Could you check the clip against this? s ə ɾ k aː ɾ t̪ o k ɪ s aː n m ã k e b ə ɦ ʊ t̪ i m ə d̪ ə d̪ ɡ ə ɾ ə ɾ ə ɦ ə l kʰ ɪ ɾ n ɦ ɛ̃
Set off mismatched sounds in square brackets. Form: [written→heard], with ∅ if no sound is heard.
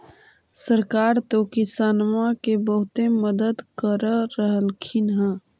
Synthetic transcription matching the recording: s ə ɾ k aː ɾ t̪ o k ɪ s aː n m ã k e b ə ɦ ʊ t̪ [i→e] m ə d̪ ə d̪ [ɡ→k] ə ɾ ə ɾ ə ɦ ə l kʰ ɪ [ɾ→∅] n ɦ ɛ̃